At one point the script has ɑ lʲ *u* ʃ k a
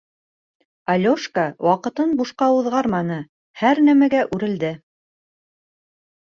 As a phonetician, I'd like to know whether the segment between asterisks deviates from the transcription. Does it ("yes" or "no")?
yes